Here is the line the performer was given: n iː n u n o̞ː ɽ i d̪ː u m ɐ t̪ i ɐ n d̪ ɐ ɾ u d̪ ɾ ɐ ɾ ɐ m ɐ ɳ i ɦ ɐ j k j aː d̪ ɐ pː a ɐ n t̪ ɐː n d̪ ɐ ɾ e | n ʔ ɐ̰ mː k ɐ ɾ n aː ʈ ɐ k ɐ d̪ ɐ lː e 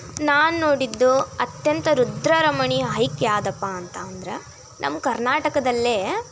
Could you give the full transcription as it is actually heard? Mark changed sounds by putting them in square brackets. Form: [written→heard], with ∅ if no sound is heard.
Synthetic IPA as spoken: n [iː→aː] n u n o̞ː ɽ i d̪ː u [m→∅] ɐ t̪ [i→j] ɐ n [d̪→t̪] ɐ ɾ u d̪ ɾ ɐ ɾ ɐ m ɐ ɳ i ɦ ɐ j k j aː d̪ ɐ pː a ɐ n t̪ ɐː n d̪ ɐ ɾ e | n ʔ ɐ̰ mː k ɐ ɾ n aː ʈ ɐ k ɐ d̪ ɐ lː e